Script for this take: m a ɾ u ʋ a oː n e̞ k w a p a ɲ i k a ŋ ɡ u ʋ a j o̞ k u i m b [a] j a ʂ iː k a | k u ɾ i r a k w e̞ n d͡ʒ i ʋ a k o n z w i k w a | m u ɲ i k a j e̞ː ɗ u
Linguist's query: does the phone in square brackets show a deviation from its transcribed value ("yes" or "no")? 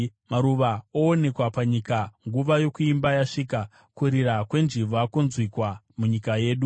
no